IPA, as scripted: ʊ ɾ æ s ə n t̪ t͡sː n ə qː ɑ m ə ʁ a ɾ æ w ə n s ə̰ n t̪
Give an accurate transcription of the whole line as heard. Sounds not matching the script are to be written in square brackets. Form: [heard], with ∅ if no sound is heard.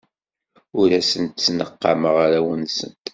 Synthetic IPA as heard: ʊ ɾ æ s ə n t̪ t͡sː n ə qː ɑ m ə ʁ a ɾ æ w ə n s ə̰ n t̪